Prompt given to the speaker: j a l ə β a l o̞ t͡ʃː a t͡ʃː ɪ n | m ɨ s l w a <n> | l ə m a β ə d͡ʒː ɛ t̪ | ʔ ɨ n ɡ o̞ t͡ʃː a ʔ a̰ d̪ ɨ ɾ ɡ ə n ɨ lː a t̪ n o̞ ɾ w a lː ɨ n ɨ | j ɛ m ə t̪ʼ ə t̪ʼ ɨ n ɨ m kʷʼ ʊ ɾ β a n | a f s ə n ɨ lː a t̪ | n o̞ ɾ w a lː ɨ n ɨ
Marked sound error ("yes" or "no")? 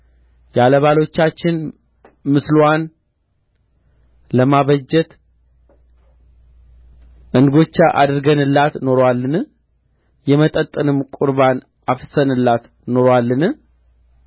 no